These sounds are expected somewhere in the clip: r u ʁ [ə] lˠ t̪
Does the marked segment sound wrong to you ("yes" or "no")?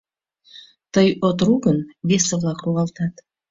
yes